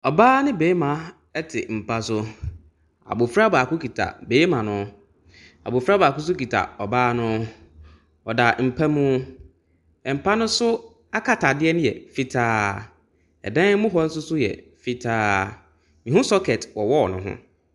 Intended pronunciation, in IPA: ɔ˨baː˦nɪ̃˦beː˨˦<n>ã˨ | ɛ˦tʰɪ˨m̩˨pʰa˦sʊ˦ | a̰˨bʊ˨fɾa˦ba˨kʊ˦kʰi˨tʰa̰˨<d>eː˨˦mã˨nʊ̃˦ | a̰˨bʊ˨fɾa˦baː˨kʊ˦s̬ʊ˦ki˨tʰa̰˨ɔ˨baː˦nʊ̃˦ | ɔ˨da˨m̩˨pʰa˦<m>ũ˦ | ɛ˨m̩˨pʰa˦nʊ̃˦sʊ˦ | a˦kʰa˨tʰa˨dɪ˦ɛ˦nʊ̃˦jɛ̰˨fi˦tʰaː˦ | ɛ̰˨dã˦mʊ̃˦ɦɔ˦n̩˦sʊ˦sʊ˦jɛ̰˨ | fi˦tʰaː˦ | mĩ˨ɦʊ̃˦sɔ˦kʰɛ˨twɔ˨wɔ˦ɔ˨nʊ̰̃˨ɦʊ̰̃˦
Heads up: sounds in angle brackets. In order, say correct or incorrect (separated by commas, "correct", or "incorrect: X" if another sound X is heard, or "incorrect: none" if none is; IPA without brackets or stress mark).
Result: incorrect: m, incorrect: b, correct